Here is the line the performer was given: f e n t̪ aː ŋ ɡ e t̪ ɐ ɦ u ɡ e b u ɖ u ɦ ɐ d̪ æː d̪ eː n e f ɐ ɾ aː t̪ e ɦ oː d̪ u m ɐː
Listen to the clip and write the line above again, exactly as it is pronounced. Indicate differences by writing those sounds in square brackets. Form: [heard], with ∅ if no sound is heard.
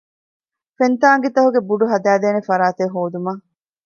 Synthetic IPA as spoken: f e n t̪ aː ŋ ɡ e t̪ ɐ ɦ u ɡ e b u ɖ u ɦ ɐ d̪ æː d̪ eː n e f ɐ ɾ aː t̪ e ɦ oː d̪ u m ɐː